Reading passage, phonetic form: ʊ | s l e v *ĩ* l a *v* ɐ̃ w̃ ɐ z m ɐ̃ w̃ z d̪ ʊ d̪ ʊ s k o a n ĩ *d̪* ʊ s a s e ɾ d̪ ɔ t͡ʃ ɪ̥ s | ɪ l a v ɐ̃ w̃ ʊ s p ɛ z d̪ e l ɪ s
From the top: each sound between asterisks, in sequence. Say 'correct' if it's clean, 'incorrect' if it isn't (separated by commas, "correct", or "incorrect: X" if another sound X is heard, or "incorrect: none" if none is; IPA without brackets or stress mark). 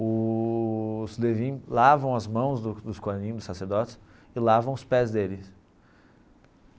correct, correct, correct